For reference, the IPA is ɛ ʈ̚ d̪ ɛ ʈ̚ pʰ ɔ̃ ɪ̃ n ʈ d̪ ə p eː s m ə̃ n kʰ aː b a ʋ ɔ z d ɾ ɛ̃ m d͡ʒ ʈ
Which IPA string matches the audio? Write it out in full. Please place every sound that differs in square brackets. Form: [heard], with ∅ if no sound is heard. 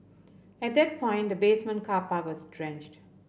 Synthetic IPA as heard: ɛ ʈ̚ d̪ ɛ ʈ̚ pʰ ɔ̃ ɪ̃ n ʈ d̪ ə [b] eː s m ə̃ n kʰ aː [p] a ʋ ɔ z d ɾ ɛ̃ [n] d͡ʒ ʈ